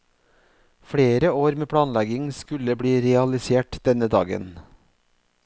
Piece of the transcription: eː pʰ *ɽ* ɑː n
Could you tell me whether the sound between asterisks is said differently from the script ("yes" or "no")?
no